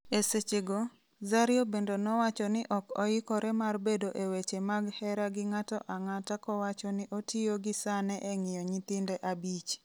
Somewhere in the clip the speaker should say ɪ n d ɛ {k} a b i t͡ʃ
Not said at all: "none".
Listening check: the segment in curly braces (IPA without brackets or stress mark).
ʔ